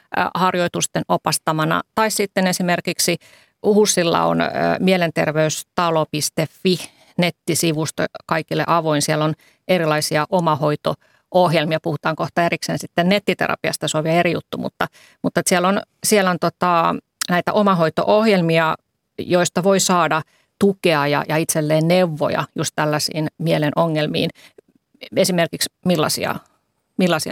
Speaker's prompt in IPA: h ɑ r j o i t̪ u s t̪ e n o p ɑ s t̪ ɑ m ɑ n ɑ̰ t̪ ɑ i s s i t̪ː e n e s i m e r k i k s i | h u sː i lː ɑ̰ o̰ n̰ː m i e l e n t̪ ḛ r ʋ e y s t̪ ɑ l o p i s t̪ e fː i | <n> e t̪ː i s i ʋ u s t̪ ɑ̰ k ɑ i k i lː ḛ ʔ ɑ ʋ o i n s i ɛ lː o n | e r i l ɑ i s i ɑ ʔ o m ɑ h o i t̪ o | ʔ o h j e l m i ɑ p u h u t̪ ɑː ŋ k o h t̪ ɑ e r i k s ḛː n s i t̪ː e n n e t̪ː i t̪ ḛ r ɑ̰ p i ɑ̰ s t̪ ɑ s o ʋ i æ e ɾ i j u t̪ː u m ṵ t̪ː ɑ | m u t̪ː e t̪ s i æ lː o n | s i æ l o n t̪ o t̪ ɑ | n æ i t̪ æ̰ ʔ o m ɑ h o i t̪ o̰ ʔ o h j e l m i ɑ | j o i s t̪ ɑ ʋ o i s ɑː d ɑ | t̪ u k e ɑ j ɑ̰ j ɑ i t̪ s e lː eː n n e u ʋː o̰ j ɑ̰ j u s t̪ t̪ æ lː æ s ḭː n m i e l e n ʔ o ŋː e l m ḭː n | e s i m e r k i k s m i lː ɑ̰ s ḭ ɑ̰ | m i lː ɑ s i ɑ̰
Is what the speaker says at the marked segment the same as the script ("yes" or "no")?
yes